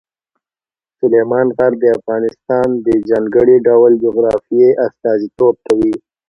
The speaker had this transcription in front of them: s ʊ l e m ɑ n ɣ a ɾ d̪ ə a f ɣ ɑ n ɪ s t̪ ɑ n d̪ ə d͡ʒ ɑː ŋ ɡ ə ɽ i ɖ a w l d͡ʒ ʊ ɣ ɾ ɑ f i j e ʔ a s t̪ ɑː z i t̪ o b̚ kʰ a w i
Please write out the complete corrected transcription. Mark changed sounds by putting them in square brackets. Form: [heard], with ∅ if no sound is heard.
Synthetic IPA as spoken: s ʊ l e m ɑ n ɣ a ɾ d̪ ə a f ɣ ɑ n ɪ s t̪ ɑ n d̪ ə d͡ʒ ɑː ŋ ɡ ə ɽ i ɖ a w l d͡ʒ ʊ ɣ ɾ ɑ f i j e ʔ a s t̪ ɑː z i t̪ o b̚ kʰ a w i